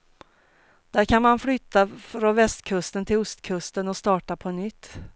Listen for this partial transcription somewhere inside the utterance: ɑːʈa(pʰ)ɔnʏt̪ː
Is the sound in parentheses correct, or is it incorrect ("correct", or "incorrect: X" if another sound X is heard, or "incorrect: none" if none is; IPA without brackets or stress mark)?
correct